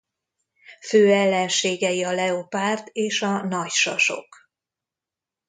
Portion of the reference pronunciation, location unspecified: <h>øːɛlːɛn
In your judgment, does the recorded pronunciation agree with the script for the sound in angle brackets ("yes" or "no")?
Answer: no